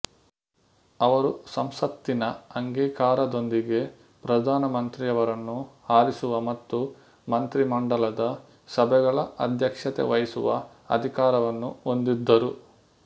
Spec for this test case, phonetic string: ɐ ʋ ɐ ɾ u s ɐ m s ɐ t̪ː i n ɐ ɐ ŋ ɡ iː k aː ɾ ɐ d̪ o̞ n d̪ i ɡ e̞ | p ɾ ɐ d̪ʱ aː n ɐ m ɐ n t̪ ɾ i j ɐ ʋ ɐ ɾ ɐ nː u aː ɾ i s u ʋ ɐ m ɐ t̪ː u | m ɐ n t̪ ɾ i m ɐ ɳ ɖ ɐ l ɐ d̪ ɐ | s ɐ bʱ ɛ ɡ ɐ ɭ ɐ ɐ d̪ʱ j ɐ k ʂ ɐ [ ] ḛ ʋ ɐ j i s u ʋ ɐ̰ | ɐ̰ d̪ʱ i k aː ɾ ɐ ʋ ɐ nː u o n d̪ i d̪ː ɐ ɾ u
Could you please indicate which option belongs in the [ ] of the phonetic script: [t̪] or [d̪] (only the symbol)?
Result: t̪